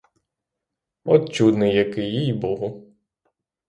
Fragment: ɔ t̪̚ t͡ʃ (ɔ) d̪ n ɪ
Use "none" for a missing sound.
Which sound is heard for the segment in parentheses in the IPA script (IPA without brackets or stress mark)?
u